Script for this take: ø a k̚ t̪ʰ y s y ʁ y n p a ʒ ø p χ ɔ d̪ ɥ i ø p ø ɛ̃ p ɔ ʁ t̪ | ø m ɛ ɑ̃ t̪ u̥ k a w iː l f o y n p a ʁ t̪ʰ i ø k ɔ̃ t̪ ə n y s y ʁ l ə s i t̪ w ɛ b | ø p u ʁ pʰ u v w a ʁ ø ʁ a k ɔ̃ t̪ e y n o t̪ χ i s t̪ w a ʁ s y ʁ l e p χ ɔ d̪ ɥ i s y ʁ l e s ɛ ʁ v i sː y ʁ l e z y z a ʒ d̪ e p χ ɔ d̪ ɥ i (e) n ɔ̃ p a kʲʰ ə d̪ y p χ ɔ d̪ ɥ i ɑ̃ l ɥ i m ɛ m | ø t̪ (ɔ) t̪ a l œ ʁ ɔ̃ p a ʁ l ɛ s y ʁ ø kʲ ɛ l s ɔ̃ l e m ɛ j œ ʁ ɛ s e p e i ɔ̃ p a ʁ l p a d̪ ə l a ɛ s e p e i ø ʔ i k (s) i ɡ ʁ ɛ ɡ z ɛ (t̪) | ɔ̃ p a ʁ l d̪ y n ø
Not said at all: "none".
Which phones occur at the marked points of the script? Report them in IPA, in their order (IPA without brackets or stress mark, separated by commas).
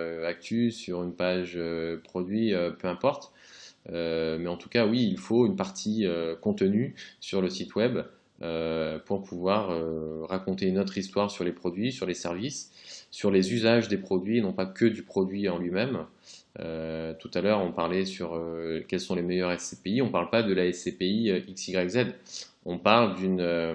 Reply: e, u, s, d̪